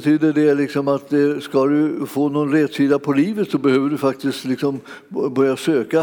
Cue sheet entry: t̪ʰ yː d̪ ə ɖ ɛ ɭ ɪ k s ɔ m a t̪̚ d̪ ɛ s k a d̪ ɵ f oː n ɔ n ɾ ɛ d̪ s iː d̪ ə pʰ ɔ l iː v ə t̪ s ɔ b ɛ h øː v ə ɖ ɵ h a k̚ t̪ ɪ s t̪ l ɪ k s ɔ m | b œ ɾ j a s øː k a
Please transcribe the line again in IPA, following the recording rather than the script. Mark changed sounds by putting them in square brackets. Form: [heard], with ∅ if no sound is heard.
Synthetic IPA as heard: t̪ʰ yː d̪ ə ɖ ɛ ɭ ɪ k s ɔ m a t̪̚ d̪ ɛ s k a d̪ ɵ f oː n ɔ n ɾ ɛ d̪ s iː d̪ [a] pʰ ɔ l iː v ə t̪ s ɔ b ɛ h øː v ə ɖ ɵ [f] a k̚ t̪ ɪ s t̪ l ɪ k s ɔ m | b œ ɾ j a s øː k a